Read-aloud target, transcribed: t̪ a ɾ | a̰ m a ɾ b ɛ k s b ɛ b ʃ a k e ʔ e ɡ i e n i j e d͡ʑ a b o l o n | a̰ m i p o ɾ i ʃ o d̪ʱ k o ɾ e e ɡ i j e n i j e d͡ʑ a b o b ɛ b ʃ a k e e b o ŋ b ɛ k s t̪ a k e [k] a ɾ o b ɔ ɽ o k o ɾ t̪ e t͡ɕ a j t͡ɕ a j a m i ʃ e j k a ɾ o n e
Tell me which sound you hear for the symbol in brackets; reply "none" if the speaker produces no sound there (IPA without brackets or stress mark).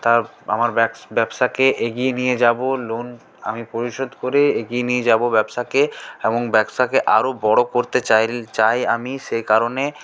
ʔ